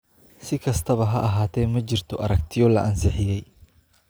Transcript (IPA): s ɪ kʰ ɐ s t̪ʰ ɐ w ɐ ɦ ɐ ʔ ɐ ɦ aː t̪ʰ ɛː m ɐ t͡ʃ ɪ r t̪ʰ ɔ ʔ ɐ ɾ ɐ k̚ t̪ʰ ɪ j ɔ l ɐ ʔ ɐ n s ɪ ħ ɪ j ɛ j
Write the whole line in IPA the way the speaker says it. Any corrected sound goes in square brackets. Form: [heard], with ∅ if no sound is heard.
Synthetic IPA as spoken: s ɪ kʰ ɐ s t̪ʰ ɐ [β] ɐ ɦ ɐ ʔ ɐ ɦ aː t̪ʰ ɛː m ɐ t͡ʃ ɪ r t̪ʰ ɔ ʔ ɐ ɾ ɐ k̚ t̪ʰ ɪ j ɔ l ɐ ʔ ɐ n s ɪ ħ ɪ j ɛ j